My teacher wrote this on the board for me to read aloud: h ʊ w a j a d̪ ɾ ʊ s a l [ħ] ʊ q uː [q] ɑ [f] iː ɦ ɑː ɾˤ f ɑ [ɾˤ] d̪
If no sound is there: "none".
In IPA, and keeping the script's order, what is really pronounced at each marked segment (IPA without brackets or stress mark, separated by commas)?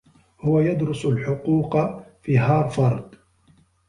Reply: ħ, q, f, ɾˤ